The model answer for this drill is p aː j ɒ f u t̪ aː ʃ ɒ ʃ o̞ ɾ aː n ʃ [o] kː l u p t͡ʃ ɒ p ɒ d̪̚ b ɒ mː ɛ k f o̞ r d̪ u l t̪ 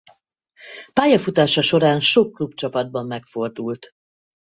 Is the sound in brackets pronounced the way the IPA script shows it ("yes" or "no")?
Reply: yes